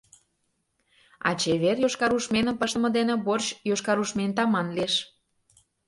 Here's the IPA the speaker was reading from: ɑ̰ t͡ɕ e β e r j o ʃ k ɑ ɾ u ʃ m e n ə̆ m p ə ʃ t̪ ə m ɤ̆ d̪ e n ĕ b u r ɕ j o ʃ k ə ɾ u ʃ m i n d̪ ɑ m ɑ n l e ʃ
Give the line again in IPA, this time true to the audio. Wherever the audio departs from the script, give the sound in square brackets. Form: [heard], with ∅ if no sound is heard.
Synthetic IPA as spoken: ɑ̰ t͡ɕ e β e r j o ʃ k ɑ ɾ u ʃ m e n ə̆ m p ə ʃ t̪ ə m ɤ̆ d̪ e n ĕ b [o] r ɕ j o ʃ k [ɑ] ɾ u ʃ m [e] n [t̪] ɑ m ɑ n l e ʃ